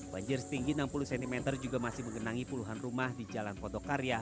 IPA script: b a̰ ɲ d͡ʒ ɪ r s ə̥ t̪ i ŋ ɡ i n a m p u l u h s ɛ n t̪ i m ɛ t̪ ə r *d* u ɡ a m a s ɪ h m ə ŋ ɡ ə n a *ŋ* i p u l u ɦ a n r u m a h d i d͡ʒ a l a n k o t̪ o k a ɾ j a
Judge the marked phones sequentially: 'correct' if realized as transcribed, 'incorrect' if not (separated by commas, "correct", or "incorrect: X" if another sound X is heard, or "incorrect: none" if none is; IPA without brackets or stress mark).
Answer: incorrect: d͡ʒ, correct